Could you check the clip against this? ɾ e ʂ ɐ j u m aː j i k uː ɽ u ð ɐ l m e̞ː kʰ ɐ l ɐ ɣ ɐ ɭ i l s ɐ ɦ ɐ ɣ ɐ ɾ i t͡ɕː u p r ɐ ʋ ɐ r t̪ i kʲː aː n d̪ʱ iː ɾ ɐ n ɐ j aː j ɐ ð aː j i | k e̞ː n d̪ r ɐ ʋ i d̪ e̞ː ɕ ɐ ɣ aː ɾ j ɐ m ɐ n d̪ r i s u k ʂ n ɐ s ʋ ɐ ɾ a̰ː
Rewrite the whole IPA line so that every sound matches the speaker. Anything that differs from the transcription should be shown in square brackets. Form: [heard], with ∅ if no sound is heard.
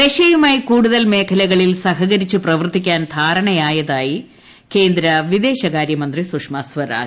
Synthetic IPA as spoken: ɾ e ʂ ɐ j u m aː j i k uː ɽ u ð ɐ l m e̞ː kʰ ɐ l ɐ ɣ ɐ ɭ i l s ɐ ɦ ɐ ɣ ɐ ɾ i t͡ɕː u p r ɐ ʋ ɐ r t̪ i kʲː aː n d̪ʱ [aː] ɾ ɐ [ɳ] ɐ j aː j ɐ ð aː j i | k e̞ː n d̪ [ɾ] ɐ ʋ i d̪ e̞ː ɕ ɐ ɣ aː ɾ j ɐ m ɐ n d̪ r i s u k ʂ [m] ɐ s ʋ ɐ ɾ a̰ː